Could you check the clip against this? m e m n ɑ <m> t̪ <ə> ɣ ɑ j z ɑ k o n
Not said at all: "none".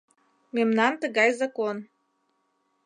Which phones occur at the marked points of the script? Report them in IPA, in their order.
n, ə

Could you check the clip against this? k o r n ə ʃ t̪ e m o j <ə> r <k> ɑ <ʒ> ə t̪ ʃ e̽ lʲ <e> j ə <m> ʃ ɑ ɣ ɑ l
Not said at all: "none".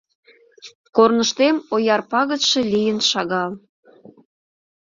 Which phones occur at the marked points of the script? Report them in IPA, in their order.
ɑ, p, ɣ, i, n

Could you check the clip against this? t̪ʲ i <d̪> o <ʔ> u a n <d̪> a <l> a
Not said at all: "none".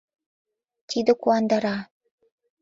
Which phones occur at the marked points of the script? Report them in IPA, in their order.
d̪, k, d̪, ɾ

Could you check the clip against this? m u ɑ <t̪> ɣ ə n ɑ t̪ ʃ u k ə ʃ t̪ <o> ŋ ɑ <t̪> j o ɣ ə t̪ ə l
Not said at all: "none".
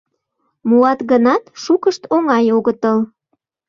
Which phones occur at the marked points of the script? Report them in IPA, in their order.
t̪, o, none

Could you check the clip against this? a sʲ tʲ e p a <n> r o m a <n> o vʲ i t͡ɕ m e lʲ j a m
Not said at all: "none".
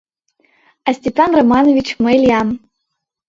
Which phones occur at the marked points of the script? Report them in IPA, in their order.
n, n

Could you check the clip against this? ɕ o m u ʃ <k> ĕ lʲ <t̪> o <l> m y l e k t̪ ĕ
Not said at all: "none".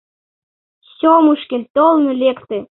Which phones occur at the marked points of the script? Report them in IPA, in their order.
k, t̪, l

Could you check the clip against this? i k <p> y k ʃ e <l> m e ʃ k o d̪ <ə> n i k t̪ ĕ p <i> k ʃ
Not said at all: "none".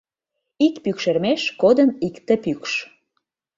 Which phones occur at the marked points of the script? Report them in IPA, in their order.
p, r, ə, y

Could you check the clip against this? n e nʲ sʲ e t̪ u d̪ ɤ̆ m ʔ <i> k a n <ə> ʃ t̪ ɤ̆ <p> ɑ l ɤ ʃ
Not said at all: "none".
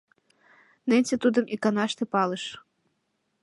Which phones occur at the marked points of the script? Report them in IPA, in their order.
i, ɑ, p

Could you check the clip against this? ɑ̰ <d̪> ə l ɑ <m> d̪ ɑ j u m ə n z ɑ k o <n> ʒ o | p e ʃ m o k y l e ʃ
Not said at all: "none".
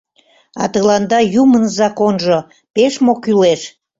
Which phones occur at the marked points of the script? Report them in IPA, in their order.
t̪, n, n

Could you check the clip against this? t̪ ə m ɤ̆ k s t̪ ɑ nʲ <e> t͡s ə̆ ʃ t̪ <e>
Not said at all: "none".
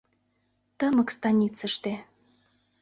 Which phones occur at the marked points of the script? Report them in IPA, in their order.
i, e

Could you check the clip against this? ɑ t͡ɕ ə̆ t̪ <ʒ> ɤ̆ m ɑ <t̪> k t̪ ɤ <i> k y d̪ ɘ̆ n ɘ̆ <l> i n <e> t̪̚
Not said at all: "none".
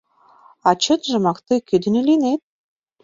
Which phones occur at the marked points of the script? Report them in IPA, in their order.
ʒ, none, j, l, e

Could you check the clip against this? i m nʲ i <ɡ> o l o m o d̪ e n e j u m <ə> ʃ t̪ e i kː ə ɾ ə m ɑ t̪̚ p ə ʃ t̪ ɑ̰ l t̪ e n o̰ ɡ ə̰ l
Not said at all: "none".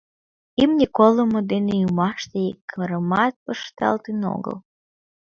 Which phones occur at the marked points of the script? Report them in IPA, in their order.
k, ɑ

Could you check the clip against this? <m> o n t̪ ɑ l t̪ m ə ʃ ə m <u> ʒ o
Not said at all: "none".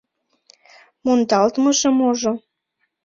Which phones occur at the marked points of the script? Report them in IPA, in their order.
m, o

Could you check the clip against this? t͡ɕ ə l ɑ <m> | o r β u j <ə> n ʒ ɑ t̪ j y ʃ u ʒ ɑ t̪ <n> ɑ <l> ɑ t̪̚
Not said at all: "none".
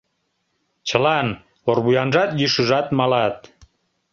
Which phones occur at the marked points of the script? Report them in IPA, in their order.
n, ɑ, m, l

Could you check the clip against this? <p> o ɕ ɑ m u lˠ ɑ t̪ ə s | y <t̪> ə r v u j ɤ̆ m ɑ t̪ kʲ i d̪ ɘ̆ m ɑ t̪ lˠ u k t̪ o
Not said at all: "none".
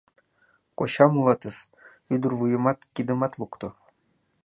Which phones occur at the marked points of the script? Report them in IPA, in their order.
k, d̪

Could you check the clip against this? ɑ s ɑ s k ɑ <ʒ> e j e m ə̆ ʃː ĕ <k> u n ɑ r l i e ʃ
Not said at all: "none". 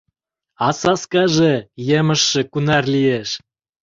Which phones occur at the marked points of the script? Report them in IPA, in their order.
ʒ, k

